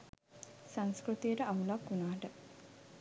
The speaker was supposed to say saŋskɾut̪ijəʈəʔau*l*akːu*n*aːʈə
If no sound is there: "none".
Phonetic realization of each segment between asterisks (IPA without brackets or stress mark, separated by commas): l, n